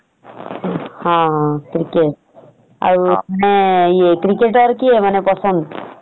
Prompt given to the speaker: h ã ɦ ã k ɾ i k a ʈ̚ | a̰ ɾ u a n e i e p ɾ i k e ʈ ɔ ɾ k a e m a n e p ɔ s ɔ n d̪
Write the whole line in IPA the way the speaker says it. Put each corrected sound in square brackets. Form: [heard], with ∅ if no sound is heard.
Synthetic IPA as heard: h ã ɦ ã k ɾ i k [e] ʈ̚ | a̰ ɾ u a n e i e [k] ɾ i k e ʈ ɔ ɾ k [i] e m a n e p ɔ s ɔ n d̪

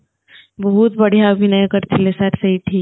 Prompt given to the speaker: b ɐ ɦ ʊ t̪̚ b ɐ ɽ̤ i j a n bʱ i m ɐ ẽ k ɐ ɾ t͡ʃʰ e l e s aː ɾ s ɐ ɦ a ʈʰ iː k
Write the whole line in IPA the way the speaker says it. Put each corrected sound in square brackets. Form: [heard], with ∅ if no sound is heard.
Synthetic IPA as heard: b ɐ ɦ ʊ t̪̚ b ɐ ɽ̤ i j a [∅] bʱ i [n] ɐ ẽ k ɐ ɾ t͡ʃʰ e l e s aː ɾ s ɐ ɦ [i] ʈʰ iː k

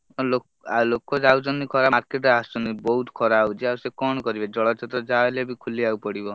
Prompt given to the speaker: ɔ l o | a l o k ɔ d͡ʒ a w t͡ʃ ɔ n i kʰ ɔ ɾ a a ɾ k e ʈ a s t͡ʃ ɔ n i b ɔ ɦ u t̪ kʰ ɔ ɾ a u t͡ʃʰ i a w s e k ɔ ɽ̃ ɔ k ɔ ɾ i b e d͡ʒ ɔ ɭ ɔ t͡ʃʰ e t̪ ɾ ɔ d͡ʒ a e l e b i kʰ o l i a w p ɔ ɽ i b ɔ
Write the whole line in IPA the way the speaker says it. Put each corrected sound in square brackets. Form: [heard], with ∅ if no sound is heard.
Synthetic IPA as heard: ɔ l o | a l o k ɔ d͡ʒ a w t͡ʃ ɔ n i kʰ ɔ ɾ a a ɾ k e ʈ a s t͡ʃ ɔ n i b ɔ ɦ u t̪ kʰ ɔ ɾ a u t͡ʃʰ i a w s e k ɔ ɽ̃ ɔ k ɔ ɾ i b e d͡ʒ ɔ ɭ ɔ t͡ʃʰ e t̪ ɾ ɔ d͡ʒ a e l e b i kʰ [u] l i a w p ɔ ɽ i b ɔ

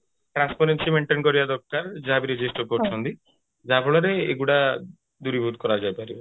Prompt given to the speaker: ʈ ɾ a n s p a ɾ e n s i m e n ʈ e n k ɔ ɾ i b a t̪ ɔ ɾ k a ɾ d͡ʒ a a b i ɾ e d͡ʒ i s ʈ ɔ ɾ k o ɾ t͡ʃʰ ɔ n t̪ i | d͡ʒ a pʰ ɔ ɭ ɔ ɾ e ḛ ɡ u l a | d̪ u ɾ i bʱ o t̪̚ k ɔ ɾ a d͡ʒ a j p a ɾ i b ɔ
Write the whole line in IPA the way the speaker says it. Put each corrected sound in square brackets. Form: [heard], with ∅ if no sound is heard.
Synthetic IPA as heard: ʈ ɾ a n s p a ɾ e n s i m e [ɳ] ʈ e n k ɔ ɾ i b a [d̪] ɔ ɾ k a ɾ d͡ʒ a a b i ɾ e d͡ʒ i s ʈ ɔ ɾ k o ɾ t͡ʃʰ ɔ n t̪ i | d͡ʒ a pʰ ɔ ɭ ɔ ɾ e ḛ ɡ u [ɽ] a | d̪ u ɾ i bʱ [u] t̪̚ k ɔ ɾ a d͡ʒ a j p a ɾ i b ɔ

